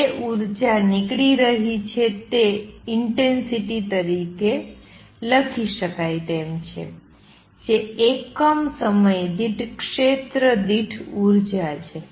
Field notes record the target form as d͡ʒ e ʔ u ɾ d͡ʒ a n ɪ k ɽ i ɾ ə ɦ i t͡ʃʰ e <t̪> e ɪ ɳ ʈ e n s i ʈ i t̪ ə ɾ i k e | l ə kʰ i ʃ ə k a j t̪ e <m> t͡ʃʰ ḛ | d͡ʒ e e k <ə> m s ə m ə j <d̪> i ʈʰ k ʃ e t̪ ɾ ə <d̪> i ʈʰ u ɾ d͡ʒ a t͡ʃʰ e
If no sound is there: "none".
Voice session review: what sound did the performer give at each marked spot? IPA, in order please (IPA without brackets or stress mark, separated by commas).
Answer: t̪, m, ə, d̪, d̪